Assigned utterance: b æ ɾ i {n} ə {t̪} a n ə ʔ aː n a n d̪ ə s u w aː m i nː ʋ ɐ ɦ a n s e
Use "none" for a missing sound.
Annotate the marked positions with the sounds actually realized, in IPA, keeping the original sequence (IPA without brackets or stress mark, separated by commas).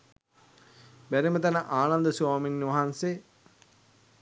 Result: m, t̪